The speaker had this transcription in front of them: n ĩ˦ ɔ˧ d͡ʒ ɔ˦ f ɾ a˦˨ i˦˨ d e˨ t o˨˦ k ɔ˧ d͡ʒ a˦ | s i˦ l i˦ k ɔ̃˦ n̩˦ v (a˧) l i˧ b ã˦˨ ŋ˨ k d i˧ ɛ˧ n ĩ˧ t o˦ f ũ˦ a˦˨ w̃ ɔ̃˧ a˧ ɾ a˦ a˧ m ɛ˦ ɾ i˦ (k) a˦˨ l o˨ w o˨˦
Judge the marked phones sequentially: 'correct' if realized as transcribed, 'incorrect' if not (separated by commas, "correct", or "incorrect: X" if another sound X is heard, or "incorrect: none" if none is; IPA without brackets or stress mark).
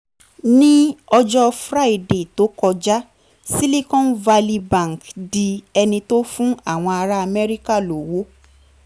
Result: correct, correct